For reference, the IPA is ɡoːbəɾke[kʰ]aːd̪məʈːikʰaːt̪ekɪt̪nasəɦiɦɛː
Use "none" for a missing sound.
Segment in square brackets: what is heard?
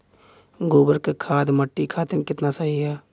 kʰ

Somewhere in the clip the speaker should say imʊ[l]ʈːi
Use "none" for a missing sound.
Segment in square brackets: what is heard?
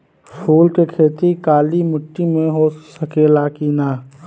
none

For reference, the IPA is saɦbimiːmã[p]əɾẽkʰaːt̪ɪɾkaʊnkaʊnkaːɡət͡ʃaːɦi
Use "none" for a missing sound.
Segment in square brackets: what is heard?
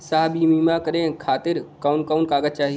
k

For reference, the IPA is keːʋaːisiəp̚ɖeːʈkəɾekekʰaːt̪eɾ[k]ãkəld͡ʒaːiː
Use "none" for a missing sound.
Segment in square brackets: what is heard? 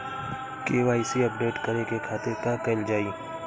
k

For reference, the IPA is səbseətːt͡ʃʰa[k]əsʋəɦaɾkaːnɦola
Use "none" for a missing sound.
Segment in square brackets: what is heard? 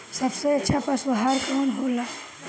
p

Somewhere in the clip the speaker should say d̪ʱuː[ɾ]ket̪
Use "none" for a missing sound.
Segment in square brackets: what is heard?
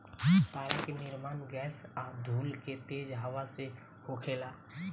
l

